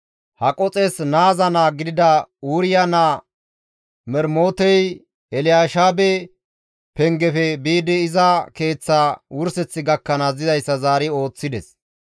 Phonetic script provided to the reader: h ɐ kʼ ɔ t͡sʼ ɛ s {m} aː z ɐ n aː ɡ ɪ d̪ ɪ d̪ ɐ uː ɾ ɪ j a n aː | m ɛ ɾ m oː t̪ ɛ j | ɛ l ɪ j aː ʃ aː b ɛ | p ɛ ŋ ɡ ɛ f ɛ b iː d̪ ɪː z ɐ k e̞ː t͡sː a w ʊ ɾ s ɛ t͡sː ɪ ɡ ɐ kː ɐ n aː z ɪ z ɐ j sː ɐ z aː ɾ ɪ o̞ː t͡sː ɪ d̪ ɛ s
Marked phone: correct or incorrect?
incorrect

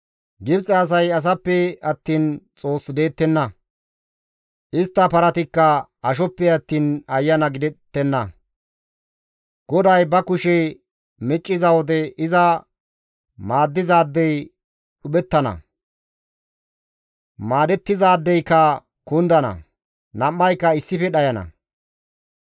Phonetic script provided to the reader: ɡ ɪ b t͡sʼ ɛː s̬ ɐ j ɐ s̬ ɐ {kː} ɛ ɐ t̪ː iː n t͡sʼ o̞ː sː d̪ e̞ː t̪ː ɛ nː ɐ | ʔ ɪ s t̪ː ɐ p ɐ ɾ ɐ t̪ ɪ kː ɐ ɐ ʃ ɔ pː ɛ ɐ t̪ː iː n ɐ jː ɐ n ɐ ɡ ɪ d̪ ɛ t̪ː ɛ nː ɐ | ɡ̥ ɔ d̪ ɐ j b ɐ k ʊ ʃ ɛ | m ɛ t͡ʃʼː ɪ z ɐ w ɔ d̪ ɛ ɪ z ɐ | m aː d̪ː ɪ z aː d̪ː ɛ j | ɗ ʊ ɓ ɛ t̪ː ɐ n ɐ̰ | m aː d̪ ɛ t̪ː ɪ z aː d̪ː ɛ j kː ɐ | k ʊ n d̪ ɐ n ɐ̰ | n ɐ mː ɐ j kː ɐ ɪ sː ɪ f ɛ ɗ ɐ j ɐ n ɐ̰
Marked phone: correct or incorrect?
incorrect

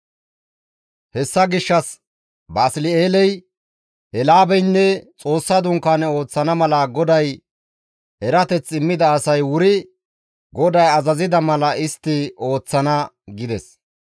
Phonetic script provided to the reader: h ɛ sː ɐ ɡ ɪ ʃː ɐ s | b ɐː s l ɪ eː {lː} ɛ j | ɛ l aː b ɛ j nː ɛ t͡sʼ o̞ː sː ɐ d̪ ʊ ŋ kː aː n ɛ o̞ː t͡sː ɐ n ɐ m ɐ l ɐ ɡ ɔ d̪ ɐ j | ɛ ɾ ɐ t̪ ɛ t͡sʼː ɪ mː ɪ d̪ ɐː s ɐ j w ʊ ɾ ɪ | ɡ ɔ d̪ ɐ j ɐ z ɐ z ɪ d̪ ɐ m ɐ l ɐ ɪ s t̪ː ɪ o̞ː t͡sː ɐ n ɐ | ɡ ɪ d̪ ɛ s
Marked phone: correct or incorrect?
incorrect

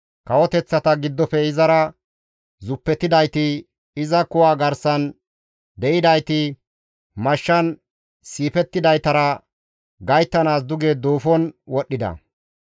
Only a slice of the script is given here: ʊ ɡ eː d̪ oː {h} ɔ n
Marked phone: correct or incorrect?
incorrect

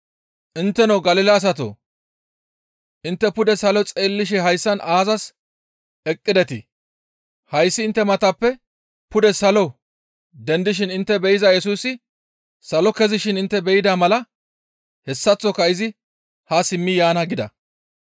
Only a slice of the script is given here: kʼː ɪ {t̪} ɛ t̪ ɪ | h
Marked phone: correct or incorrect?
incorrect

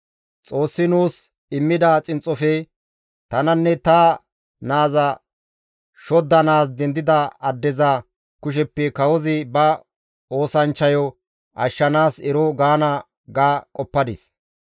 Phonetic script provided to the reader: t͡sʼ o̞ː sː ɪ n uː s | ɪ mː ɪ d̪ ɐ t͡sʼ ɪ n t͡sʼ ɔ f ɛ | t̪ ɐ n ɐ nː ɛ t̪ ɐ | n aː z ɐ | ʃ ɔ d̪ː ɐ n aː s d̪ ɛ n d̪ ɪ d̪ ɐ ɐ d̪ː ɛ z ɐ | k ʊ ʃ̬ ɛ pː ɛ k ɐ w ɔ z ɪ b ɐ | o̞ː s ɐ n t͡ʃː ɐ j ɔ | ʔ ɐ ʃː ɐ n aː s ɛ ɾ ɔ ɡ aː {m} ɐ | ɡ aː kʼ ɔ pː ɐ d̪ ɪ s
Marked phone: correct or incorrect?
incorrect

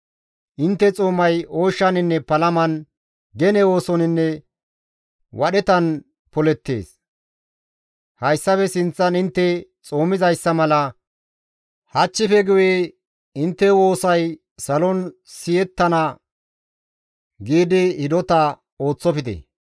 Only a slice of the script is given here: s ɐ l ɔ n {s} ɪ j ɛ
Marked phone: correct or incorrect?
correct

